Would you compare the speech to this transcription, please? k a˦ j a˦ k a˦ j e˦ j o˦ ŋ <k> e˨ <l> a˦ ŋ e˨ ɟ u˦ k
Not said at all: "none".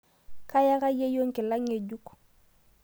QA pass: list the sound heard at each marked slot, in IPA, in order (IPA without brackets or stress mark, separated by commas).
k, l